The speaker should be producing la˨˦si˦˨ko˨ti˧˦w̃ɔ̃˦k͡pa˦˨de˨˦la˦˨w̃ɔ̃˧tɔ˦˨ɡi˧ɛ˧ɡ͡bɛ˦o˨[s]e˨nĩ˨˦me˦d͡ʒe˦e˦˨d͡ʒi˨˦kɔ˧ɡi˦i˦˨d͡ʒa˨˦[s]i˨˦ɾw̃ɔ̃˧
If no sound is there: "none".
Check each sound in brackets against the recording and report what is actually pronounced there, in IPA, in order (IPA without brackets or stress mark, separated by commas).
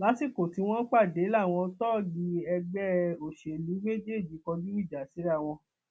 ʃ, s